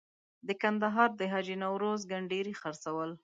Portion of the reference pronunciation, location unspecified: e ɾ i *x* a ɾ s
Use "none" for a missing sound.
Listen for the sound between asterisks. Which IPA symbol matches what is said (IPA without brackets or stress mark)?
x